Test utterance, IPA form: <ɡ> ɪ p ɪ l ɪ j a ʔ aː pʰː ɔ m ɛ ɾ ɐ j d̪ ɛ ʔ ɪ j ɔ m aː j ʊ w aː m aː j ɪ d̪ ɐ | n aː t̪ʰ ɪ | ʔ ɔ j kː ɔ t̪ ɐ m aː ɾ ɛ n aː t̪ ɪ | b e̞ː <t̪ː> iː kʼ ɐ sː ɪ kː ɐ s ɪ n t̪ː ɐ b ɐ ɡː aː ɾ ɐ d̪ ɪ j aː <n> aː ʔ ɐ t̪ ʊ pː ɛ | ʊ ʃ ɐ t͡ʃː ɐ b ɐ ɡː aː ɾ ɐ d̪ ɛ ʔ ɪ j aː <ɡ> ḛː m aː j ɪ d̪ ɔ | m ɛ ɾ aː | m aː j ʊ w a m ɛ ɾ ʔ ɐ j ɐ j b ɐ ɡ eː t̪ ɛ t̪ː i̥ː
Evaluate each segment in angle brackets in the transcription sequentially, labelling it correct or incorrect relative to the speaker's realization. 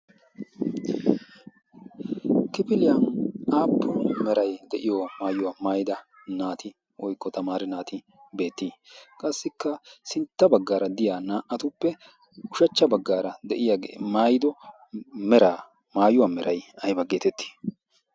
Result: incorrect: k, correct, correct, correct

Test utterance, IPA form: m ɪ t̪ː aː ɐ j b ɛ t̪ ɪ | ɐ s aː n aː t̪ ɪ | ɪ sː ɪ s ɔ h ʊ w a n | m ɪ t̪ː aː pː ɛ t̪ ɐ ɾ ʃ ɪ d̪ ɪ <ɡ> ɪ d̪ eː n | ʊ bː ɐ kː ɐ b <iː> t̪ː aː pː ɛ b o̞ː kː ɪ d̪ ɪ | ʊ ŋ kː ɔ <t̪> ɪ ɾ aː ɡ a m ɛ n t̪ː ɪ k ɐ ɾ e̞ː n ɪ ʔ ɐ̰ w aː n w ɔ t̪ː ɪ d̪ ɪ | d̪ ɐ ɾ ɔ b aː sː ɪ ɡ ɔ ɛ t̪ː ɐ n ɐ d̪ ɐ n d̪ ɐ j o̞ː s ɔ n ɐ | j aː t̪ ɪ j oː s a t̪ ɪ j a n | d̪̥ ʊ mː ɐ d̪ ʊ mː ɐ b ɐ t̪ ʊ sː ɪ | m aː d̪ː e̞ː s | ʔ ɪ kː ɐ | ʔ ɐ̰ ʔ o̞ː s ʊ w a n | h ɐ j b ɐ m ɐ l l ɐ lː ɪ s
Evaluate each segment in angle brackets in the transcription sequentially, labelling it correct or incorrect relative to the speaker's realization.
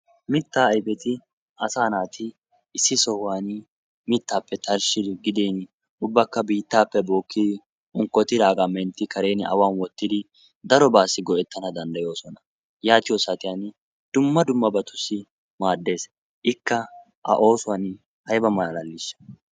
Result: correct, correct, correct

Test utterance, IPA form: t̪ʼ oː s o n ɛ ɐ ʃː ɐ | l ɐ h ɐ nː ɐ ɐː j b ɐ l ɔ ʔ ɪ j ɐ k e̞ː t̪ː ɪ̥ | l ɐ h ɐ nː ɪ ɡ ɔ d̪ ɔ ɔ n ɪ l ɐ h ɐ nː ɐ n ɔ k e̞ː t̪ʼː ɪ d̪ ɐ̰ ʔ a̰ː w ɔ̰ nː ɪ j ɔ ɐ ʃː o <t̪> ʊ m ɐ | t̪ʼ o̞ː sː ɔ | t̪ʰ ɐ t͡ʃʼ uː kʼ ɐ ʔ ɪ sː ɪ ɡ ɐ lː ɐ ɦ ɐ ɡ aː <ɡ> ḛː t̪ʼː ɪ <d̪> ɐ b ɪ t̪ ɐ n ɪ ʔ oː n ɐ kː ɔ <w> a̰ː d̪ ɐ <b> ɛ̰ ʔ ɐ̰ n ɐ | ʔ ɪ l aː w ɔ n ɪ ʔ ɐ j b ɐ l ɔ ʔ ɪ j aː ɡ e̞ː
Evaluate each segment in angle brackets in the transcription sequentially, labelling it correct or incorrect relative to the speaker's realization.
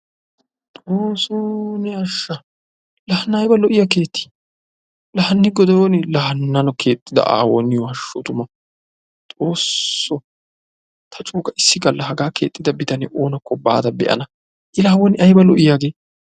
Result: correct, incorrect: k, correct, incorrect: b, correct

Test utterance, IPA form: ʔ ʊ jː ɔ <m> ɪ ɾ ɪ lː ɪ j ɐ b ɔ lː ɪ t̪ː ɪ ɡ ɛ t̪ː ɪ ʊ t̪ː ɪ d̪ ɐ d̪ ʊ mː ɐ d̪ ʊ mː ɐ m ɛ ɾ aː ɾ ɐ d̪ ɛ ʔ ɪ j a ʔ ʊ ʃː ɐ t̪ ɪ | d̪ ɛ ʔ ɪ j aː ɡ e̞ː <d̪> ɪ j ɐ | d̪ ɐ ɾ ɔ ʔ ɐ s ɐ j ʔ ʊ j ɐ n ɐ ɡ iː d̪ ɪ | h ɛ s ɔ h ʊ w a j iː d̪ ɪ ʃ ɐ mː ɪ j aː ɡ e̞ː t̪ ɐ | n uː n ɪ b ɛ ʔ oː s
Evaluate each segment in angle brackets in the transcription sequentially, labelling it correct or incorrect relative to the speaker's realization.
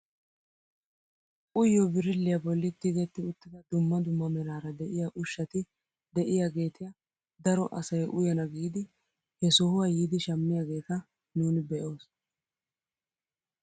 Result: incorrect: b, incorrect: t̪

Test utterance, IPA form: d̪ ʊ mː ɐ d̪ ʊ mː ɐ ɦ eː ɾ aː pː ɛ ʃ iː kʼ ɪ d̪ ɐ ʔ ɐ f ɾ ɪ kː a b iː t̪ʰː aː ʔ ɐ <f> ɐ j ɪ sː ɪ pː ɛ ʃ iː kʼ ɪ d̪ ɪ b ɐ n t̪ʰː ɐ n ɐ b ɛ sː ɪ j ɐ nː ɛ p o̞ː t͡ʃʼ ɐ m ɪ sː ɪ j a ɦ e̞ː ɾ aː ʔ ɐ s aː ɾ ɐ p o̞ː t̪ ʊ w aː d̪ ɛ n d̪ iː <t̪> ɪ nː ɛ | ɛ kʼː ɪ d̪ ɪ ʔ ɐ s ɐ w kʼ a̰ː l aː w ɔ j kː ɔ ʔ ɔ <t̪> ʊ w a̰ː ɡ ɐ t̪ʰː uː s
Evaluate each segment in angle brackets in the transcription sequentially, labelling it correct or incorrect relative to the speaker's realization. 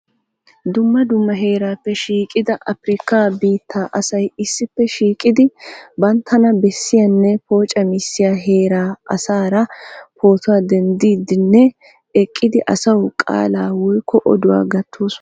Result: incorrect: s, incorrect: d̪, incorrect: d̪

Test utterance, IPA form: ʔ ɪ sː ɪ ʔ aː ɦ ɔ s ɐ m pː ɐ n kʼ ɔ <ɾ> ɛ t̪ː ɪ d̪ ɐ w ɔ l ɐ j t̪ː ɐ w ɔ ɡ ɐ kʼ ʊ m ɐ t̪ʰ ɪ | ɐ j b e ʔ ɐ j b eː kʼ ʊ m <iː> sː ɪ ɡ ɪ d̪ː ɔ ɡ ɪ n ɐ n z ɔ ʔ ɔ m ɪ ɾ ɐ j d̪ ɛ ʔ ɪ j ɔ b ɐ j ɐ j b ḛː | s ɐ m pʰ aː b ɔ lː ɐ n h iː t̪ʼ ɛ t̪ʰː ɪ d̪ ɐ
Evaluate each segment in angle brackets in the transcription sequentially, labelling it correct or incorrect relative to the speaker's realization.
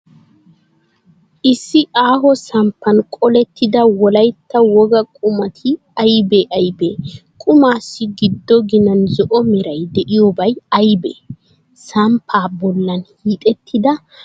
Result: incorrect: l, incorrect: aː

